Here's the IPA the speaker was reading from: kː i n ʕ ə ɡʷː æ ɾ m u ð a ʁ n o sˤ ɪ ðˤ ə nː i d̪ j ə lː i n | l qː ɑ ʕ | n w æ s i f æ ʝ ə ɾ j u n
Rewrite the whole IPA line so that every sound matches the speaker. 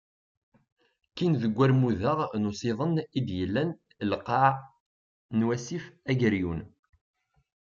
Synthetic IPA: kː i n ð ə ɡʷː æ ɾ m u ð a ʁ n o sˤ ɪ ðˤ ə n i d̪ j ə lː æ n | l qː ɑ ʕ | n w æ s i f æ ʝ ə ɾ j u n

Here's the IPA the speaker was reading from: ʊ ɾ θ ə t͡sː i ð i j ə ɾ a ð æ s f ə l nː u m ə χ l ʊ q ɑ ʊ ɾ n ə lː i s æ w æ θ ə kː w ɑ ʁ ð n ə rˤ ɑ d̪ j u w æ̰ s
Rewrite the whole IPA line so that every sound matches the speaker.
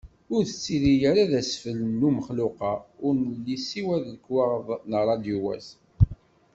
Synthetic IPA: ʊ ɾ θ ə t͡sː i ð i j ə ɾ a ð æ s f ə l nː u m ə χ l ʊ q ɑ ʊ ɾ n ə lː i s i w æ ð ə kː w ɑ ʁ ð n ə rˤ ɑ d̪ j u w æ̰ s

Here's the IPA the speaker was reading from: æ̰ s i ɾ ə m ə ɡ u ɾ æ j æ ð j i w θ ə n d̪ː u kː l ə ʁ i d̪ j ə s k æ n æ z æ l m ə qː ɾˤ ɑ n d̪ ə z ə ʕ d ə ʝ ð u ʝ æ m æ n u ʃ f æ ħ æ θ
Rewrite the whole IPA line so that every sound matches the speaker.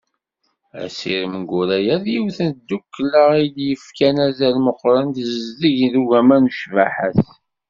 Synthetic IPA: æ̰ s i ɾ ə m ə ɡ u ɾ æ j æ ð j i w θ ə n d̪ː u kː l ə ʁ i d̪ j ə f k æ n æ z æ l m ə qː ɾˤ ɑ n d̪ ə z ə z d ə ʝ ð u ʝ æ m æ n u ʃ v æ ħ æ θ

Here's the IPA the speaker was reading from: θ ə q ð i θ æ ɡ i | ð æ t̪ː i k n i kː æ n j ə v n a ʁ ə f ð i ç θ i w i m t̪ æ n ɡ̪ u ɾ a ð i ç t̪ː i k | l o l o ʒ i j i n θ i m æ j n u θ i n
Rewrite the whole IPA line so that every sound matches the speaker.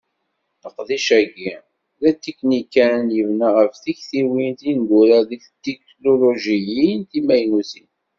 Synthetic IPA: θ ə q ð i ʃ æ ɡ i | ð æ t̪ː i k n i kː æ n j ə v n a ʁ ə f θ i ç θ i w i n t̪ i n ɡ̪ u ɾ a ð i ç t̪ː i k | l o l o ʒ i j i n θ i m æ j n u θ i n

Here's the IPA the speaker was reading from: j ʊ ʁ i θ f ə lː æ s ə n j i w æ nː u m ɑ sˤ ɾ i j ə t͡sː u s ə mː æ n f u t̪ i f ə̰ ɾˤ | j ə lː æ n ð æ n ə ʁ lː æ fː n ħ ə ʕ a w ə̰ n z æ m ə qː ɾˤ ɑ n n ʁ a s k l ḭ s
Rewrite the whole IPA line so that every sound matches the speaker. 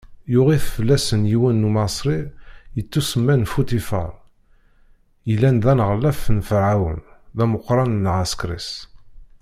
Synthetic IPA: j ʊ ʁ i θ f ə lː æ s ə n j i w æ nː u m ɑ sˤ ɾ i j ə t͡sː u s ə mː æ n f u t̪ i f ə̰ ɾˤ | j ə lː æ n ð æ n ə ʁ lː æ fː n f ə ʕ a w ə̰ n ð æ m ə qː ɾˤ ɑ n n ʁ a s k ɾ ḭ s

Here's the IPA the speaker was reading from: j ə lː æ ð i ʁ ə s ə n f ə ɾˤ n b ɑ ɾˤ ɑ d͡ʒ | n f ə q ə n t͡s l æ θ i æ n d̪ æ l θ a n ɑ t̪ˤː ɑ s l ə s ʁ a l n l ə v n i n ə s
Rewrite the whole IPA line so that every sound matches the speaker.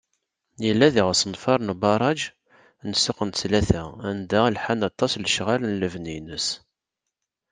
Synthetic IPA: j ə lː æ ð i ʁ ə s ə n f ɑ ɾˤ n b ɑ ɾˤ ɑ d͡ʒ | n s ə q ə n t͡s l æ θ æ æ n d̪ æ l ħ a n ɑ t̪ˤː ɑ s l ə ʃ ʁ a l n l ə v n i n ə s

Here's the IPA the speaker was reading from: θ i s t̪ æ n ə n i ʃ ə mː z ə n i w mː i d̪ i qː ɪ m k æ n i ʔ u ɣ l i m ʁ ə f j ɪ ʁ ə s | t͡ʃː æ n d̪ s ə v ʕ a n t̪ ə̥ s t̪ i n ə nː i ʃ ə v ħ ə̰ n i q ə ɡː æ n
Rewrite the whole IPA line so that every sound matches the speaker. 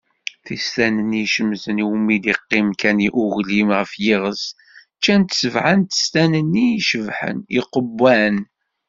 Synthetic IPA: θ i s t̪ æ n ə n i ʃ ə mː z ə n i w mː i d̪ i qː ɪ m k æ n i ʔ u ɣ l i m ʁ ə f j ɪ ʁ ə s | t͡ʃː æ n t̪ s ə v ʕ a n t̪ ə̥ s t̪ æ n ə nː i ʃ ə v ħ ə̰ n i q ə bː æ n

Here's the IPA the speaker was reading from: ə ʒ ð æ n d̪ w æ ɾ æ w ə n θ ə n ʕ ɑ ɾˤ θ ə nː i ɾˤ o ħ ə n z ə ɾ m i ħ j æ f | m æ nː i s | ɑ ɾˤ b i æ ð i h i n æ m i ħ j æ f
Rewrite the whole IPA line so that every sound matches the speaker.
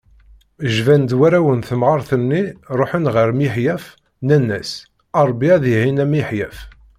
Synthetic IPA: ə ʒ v æ n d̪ w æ ɾ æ w ə n θ ə m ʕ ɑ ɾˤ θ ə nː i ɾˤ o ħ ə n ʁ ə ɾ m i ħ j æ f | n æ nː æ s | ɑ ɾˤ b i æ ð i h i n æ m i ħ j æ f

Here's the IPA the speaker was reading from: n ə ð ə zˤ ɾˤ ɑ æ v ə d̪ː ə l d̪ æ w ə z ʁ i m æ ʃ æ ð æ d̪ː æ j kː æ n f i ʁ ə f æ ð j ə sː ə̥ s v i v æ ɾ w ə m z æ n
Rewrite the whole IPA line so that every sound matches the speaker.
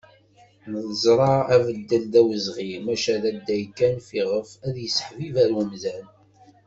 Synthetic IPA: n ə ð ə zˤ ɾˤ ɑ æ v ə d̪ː ə l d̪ æ w ə z ʁ i m æ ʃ æ ð æ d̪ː æ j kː æ n f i ʁ ə f æ ð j ə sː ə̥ ħ v i v æ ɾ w ə m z æ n

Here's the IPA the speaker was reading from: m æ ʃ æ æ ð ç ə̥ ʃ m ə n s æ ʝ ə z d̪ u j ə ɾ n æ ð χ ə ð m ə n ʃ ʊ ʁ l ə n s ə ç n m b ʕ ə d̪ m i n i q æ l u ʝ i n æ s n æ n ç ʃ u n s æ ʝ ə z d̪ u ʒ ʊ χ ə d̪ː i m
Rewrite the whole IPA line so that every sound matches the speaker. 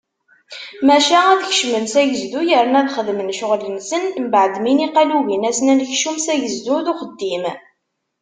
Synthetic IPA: m æ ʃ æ æ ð ç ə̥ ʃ m ə n s æ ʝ ə z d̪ u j ə ɾ n æ ð χ ə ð m ə n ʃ ʊ ʁ l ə n s ə n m b ʕ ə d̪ m i n i q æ l u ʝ i n æ s n æ n ç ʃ u m s æ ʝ ə z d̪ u ð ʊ χ ə d̪ː i m

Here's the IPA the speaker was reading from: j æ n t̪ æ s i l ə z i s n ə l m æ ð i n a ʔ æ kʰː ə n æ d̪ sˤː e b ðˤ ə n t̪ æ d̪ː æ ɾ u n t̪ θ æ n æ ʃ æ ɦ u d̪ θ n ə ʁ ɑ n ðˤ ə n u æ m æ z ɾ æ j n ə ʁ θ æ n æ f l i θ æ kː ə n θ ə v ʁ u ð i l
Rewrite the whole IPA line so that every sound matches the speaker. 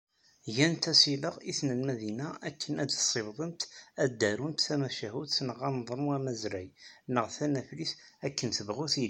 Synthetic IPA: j æ n t̪ æ s i l ə ʁ i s n ə l m æ ð i n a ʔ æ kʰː ə n æ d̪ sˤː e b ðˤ ə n t̪ æ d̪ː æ ɾ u n t̪ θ æ m æ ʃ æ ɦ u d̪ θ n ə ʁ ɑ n ðˤ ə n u æ m æ z ɾ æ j n ə ʁ θ æ n æ f l i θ æ kː ə n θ ə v ʁ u θ i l

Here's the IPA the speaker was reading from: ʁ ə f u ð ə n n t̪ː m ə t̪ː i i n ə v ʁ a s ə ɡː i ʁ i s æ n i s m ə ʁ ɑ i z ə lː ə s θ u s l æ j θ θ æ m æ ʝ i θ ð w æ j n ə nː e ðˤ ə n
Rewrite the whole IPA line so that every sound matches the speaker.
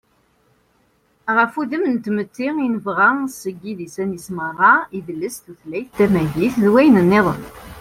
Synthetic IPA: ʁ ə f u ð ə m n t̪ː m ə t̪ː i i n ə v ʁ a s ə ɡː i ð i s æ n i s m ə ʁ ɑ i ð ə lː ə s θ u θ l æ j θ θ æ m æ ʝ i θ ð w æ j n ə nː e ðˤ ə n

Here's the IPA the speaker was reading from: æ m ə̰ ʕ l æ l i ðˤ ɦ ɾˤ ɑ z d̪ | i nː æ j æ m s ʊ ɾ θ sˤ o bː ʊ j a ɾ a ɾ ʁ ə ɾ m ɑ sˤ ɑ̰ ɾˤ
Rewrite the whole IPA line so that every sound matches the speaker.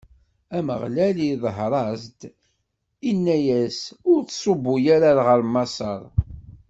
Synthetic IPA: æ m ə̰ ʁ l æ l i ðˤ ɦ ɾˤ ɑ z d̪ | i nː æ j æ s ʊ ɾ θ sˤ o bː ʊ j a ɾ a ɾ ʁ ə ɾ m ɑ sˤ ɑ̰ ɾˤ

